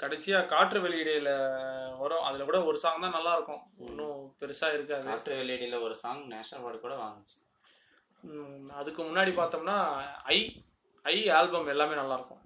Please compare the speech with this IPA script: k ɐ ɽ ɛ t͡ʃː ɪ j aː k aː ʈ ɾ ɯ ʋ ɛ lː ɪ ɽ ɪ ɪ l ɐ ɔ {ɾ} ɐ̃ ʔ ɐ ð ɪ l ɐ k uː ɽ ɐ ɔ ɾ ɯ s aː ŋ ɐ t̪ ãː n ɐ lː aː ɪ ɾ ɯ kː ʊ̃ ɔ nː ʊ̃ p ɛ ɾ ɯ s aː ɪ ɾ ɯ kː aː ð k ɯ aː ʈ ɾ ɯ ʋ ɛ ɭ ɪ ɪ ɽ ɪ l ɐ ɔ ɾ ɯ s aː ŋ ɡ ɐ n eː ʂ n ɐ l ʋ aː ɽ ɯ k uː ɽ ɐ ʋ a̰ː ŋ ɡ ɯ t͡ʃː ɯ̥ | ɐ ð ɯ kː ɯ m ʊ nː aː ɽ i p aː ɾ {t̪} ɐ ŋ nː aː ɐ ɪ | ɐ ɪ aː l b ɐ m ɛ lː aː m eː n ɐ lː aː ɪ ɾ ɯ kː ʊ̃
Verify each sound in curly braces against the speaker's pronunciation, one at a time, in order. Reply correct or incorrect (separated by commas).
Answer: correct, correct